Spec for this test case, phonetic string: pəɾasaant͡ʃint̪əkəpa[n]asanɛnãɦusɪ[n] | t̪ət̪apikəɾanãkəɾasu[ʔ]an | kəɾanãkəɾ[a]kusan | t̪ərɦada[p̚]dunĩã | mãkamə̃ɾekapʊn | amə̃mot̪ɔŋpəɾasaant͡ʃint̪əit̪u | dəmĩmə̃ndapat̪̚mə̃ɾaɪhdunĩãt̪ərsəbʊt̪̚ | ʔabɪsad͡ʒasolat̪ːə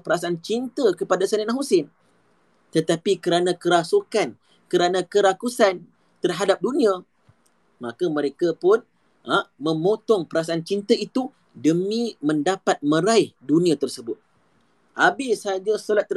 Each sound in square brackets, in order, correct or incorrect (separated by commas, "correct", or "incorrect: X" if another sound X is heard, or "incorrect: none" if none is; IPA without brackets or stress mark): incorrect: d, correct, incorrect: k, correct, correct